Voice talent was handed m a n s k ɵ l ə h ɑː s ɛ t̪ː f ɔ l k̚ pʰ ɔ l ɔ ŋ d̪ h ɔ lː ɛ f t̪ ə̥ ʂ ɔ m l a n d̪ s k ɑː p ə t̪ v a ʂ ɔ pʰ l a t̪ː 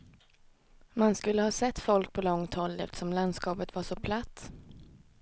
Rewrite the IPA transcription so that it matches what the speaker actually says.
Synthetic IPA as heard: m a n s k ɵ lː ə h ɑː s ɛ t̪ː f ɔ l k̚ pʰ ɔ l ɔ ŋ t̪ h ɔ lː ɛ f t̪ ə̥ ʂ ɔ m l a n d̪ s k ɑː p ə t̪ v a ʂ ɔ pʰ l a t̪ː